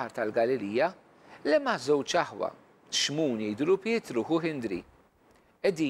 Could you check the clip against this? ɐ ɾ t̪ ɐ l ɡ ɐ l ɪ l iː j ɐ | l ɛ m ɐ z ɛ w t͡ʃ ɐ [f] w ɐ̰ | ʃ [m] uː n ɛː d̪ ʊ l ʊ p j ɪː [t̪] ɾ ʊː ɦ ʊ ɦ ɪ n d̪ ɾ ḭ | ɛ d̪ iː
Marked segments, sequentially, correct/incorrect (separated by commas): incorrect, correct, correct